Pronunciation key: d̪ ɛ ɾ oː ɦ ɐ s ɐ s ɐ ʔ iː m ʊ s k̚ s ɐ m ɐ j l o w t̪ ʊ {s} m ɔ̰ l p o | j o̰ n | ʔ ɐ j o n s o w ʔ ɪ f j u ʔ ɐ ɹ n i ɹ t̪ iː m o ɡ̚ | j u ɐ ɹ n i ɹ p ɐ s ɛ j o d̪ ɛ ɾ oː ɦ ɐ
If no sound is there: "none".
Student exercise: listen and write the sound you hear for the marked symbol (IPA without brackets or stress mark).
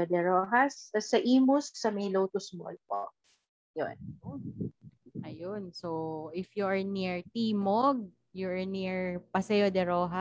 s